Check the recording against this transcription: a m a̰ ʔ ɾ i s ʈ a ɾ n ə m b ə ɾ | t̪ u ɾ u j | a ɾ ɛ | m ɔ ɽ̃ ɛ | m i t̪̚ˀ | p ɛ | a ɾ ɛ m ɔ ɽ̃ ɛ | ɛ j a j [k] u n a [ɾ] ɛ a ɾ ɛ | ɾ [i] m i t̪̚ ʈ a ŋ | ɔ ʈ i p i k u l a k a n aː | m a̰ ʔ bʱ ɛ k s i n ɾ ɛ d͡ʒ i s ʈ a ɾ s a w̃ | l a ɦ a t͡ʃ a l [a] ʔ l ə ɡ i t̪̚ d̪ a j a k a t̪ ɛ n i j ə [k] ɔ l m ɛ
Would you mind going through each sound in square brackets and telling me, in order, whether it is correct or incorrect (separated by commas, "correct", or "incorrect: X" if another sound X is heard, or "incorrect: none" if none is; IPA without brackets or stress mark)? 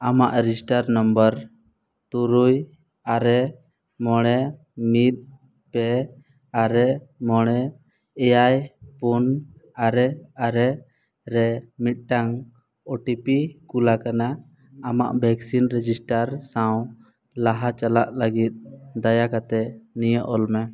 incorrect: p, correct, incorrect: ɛ, correct, incorrect: ʔ